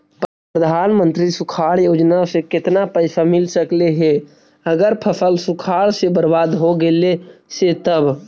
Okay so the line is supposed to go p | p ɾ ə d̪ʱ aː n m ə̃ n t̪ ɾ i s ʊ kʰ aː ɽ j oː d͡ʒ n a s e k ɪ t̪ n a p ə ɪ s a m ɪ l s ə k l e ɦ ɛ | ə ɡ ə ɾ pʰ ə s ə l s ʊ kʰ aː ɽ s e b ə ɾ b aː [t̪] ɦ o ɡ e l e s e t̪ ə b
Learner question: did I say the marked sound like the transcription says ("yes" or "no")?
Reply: no